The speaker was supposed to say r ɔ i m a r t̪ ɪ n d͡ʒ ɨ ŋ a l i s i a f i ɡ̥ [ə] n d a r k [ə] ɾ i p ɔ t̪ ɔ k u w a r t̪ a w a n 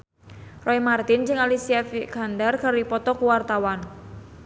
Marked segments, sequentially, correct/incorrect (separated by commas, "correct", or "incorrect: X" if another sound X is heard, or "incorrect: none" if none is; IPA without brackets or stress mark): incorrect: a, incorrect: a